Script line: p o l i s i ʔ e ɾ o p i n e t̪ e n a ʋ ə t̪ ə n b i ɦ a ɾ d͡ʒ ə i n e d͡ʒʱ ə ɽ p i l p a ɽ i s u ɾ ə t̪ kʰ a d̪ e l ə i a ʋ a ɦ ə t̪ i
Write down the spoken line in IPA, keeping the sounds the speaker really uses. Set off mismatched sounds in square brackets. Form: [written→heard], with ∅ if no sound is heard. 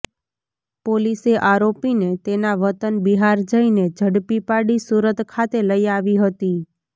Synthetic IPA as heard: p o l i s [i→e] ʔ [e→a] ɾ o p i n e t̪ e n a ʋ ə t̪ ə n b i ɦ a ɾ d͡ʒ ə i n e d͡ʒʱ ə ɽ p i [l→∅] p a ɽ i s u ɾ ə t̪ kʰ a [d̪→t̪] e l ə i a ʋ [a→i] ɦ ə t̪ i